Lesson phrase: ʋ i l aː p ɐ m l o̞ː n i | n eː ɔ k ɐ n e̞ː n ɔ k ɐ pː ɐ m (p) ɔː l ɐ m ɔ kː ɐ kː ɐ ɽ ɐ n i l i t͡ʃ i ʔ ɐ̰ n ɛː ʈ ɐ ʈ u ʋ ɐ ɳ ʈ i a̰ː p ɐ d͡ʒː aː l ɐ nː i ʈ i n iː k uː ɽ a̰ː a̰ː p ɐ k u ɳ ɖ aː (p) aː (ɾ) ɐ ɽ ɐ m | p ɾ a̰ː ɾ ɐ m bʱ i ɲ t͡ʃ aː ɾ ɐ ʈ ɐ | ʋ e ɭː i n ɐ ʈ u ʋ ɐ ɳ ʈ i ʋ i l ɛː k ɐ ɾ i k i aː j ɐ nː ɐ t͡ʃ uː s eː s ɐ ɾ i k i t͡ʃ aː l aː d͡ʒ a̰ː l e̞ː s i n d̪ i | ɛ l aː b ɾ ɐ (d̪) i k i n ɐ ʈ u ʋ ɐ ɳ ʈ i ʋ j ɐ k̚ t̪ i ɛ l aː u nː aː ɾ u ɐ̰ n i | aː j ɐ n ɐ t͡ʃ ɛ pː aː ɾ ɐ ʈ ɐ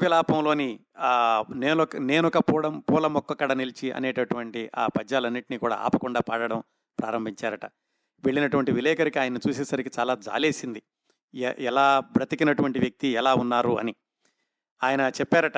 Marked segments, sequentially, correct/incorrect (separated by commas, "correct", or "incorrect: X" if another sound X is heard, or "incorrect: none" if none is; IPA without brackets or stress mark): correct, correct, incorrect: ɽ, incorrect: t̪